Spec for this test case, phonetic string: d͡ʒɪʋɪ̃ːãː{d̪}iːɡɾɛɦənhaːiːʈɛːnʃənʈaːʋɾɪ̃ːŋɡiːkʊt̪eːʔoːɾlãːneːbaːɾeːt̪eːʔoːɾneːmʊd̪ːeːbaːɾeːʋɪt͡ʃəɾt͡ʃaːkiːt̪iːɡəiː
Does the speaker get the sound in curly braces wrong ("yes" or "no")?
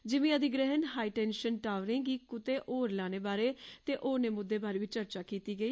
no